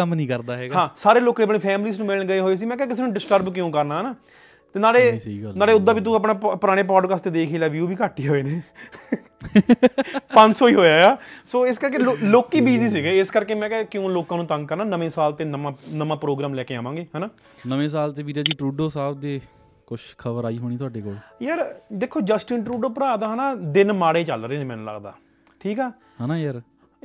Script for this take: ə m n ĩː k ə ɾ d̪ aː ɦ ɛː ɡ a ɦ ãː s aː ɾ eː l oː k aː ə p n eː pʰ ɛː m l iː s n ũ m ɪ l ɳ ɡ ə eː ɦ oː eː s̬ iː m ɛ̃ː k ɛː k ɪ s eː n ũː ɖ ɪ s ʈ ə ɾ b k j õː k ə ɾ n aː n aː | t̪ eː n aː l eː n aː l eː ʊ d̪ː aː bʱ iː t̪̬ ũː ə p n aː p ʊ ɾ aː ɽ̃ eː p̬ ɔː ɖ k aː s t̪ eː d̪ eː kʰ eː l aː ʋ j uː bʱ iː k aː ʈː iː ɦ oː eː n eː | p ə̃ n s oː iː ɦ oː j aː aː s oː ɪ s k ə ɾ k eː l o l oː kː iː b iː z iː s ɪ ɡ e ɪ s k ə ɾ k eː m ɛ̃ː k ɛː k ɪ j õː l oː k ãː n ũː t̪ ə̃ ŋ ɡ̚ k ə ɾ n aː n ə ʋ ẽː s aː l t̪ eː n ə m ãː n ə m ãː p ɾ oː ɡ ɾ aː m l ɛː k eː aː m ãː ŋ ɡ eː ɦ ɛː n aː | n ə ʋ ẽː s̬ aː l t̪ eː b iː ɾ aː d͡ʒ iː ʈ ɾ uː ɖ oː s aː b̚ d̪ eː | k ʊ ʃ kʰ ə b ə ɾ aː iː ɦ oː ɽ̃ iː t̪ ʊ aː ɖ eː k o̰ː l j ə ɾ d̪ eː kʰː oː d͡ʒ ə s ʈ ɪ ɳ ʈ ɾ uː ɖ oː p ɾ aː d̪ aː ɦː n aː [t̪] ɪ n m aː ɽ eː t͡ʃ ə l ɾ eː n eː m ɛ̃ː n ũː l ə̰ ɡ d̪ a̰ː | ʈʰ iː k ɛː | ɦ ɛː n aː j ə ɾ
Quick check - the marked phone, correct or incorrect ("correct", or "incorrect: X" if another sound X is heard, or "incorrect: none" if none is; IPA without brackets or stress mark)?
incorrect: d̪